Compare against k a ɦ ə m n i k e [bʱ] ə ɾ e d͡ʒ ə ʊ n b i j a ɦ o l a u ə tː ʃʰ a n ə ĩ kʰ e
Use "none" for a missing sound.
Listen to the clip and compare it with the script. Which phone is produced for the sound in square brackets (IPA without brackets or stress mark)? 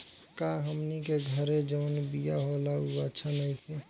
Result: ɡʱ